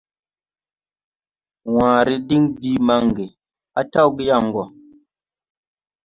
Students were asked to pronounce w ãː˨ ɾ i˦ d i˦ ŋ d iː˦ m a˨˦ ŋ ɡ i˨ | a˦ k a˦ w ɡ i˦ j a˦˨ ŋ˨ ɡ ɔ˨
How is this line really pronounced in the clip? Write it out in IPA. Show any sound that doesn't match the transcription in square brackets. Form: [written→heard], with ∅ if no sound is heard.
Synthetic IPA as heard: w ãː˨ ɾ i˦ d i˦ ŋ [d→b] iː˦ m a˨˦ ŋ ɡ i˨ | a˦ [k→t] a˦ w ɡ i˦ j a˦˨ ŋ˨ ɡ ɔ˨

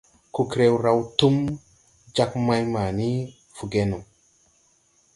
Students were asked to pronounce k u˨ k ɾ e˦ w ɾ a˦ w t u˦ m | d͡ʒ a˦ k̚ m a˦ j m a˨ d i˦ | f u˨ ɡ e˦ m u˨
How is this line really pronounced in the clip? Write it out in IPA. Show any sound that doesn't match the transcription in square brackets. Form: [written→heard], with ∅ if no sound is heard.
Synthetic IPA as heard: k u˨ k ɾ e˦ w ɾ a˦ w t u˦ m | d͡ʒ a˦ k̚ m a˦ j m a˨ [d→n] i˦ | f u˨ ɡ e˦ [m→n] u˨

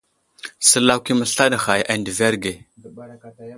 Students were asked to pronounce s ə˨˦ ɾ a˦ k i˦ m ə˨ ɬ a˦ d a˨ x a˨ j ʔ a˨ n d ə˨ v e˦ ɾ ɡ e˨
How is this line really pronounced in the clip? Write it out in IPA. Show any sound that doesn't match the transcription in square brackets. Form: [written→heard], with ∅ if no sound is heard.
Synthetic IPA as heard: s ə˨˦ [ɾ→l] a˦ k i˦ m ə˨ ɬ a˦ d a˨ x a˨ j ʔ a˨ n d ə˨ v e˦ ɾ ɡ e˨

